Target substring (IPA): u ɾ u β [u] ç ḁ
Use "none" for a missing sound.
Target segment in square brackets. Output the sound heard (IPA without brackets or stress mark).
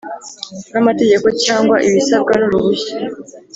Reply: u